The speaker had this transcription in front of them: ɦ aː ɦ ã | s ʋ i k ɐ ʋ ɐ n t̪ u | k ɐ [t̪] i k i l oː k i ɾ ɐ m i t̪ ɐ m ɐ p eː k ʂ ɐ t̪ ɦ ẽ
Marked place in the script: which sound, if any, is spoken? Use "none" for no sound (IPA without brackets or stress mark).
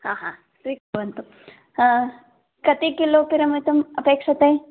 t̪